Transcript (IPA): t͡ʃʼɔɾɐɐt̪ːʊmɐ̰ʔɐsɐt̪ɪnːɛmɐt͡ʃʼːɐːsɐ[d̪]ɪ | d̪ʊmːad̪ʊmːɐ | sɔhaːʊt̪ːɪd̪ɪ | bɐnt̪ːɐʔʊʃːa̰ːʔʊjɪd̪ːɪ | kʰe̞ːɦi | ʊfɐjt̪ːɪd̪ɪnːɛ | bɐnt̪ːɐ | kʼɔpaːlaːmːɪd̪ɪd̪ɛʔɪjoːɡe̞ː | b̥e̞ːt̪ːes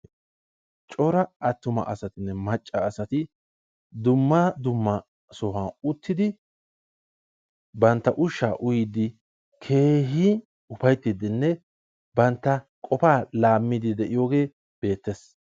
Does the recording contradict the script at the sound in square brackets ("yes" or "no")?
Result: yes